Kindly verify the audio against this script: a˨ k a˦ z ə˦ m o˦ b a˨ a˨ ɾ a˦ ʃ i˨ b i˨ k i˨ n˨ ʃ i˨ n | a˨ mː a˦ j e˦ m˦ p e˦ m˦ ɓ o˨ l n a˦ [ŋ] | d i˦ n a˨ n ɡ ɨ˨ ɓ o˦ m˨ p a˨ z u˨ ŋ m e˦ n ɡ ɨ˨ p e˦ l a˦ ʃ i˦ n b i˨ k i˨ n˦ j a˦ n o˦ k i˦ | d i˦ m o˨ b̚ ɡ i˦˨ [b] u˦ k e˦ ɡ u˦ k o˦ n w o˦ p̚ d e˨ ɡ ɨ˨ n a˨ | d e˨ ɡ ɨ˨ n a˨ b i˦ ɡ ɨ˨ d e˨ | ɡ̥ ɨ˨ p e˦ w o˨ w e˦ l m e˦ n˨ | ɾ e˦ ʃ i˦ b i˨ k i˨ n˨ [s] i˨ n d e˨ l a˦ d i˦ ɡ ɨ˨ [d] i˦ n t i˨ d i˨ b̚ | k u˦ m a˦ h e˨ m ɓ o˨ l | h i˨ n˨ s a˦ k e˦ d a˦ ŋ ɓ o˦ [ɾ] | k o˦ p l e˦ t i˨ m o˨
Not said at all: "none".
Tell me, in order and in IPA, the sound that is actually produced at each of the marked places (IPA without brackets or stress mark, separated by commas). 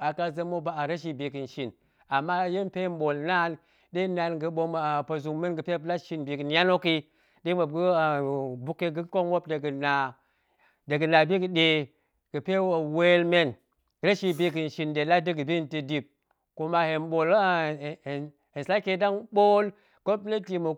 n, b, ʃ, b, l